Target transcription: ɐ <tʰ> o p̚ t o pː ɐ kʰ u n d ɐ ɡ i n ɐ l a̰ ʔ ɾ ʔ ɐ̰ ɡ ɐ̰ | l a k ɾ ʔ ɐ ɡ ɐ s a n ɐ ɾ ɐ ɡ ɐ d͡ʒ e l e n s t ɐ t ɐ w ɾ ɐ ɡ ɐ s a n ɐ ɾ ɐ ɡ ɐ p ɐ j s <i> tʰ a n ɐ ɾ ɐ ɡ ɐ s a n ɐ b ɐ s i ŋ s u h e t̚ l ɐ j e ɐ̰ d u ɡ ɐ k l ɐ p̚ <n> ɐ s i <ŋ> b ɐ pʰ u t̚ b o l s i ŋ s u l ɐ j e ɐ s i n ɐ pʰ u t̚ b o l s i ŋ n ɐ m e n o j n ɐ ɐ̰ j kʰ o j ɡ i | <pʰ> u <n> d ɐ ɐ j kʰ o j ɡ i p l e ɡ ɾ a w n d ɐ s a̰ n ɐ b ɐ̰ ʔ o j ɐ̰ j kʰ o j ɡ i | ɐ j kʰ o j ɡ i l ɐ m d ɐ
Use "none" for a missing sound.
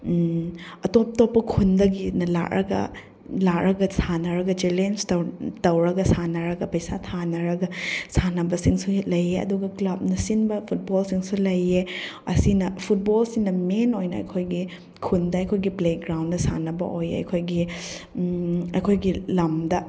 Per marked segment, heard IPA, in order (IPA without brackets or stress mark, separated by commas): t, a, n, n, kʰ, n